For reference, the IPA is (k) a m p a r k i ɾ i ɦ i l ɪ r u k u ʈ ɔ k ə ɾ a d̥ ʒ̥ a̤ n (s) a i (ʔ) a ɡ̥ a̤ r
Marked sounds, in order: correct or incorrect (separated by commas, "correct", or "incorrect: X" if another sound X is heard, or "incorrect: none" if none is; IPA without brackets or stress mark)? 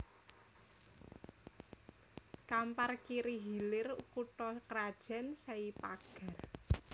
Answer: correct, correct, incorrect: p